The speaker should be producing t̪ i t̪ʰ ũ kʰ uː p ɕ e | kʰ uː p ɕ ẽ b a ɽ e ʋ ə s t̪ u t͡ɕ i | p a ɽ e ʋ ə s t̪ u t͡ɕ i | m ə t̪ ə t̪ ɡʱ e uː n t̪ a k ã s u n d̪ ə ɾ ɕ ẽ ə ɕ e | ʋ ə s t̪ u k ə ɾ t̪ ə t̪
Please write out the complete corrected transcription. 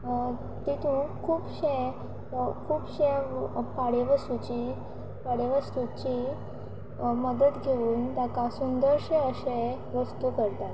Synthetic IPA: t̪ i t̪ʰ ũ kʰ uː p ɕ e | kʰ uː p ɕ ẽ p a ɽ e ʋ ə s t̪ u t͡ɕ i | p a ɽ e ʋ ə s t̪ u t͡ɕ i | m ə d̪ ə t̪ ɡʱ e uː n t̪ a k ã s u n d̪ ə ɾ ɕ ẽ ə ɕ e | ʋ ə s t̪ u k ə ɾ t̪ a t̪